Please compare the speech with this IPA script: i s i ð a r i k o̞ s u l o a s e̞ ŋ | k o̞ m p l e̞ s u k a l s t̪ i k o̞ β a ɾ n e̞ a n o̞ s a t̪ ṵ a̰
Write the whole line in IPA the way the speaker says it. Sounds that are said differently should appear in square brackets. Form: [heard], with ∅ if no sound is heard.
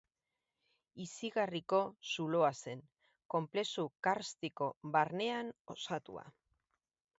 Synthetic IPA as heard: i s i [ɣ] a r i k o̞ s u l o a s e̞ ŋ | k o̞ m p l e̞ s u k a [ɾ] s t̪ i k o̞ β a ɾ n e̞ a n o̞ s a t̪ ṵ a̰